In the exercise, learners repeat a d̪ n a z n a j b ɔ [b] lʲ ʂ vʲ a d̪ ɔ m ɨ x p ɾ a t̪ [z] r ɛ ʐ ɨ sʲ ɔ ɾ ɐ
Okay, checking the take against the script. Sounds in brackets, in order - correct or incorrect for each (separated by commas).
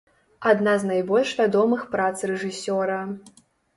incorrect, incorrect